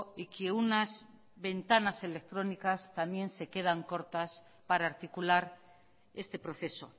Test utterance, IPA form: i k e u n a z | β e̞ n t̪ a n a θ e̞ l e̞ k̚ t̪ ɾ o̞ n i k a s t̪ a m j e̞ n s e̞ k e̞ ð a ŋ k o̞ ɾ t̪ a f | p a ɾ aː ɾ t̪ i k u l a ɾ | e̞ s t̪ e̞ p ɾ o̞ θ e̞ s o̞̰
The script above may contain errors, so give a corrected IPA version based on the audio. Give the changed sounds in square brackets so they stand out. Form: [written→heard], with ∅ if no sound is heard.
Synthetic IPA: i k e u n a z | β e̞ n t̪ a n a [θ→s] e̞ l e̞ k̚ t̪ ɾ o̞ n i k a s t̪ a m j e̞ n s e̞ k e̞ ð a ŋ k o̞ ɾ t̪ a [f→s] | p a ɾ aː ɾ t̪ i k u l a ɾ | e̞ s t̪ e̞ p ɾ o̞ θ e̞ s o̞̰